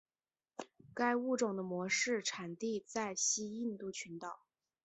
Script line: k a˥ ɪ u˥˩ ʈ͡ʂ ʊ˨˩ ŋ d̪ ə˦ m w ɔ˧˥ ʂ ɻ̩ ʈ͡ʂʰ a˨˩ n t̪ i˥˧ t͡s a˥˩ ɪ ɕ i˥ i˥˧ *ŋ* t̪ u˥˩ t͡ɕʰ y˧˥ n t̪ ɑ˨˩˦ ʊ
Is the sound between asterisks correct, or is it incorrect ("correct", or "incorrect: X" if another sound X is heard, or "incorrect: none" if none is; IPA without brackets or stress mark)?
incorrect: n